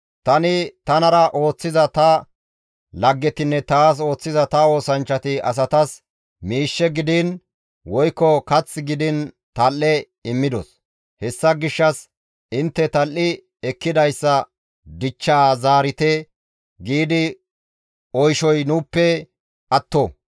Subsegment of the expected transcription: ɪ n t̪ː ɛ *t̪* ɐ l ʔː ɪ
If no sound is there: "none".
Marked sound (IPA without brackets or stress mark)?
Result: t̪